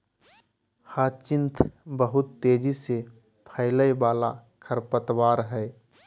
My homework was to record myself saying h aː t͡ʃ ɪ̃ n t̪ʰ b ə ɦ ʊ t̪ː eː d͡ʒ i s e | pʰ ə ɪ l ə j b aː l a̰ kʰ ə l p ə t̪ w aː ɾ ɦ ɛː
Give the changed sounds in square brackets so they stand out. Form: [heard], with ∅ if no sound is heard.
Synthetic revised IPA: h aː t͡ʃ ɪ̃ n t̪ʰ b ə ɦ ʊ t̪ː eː d͡ʒ i s e | pʰ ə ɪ l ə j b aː l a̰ kʰ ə [ɾ] p ə t̪ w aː ɾ ɦ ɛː